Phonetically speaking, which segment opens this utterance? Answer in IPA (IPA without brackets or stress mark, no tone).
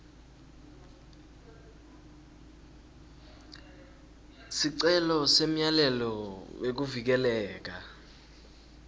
s